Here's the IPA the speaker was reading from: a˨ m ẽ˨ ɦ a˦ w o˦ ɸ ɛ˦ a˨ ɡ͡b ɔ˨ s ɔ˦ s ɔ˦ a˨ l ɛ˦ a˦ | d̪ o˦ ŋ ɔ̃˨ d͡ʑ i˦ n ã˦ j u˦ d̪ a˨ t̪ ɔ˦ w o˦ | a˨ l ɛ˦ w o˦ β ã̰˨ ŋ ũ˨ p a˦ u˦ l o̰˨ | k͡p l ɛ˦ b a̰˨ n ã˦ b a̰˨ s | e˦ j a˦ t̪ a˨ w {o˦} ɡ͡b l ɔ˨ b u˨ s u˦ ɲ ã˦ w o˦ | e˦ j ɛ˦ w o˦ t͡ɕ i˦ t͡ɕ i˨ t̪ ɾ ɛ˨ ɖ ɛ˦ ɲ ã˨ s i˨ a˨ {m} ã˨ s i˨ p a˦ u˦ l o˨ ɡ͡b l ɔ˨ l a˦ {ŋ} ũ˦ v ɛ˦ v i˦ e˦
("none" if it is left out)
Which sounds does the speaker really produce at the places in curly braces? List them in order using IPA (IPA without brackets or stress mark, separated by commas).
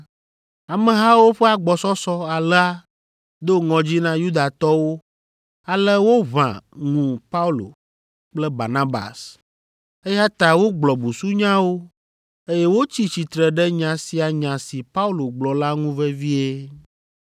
o˦, ɲ, ŋ